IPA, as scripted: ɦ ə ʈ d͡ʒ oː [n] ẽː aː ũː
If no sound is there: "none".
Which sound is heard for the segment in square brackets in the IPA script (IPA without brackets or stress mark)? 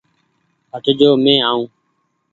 m